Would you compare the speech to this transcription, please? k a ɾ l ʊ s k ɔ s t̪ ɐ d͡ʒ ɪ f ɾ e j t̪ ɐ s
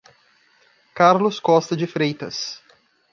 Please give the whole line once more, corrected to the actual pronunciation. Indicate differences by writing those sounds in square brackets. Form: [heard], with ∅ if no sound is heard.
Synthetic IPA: k a ɾ l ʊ s k ɔ s t̪ ɐ d͡ʒ ɪ f ɾ e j t̪ ɐ s